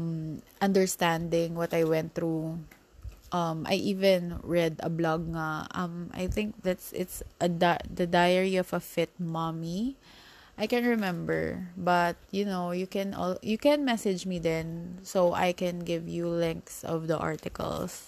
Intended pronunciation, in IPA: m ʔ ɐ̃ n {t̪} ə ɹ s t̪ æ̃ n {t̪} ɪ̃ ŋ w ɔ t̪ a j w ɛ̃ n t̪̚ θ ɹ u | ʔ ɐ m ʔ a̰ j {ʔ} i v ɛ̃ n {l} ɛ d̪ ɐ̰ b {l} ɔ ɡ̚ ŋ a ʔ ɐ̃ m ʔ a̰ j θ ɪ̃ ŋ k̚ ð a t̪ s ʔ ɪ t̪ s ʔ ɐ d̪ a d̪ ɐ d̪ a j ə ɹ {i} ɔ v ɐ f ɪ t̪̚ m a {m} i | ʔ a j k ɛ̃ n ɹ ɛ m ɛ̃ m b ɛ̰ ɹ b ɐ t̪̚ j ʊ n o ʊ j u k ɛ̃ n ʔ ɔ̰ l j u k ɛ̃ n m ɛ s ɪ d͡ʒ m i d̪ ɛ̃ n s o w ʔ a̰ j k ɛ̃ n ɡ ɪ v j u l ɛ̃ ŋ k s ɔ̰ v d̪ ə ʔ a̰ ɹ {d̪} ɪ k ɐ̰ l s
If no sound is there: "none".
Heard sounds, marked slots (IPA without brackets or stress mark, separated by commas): d̪, d̪, ʔ, ɹ, l, i, m, t̪